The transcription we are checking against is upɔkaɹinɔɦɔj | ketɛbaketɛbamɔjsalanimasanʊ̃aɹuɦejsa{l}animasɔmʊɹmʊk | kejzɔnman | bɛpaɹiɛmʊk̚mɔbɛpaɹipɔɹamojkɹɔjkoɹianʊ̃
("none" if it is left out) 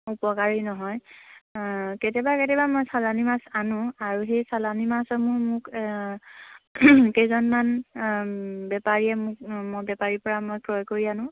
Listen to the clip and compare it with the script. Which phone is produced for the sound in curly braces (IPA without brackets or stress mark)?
l